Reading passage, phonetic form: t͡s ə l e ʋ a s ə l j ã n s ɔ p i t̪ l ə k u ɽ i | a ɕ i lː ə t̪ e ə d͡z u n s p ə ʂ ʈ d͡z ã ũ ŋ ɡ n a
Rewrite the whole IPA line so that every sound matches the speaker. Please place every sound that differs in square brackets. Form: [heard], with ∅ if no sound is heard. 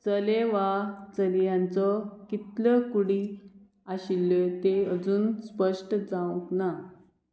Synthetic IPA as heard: t͡s ə l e ʋ a [t͡s] ə l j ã n [t͡s] ɔ [k] i t̪ l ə k u ɽ i | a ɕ i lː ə t̪ e ə d͡z [uː] n s p ə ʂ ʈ d͡z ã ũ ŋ [k] n a